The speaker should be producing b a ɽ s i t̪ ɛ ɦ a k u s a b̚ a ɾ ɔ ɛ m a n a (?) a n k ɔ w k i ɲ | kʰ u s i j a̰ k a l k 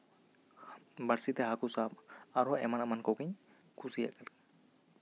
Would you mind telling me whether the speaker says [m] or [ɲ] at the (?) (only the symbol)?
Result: m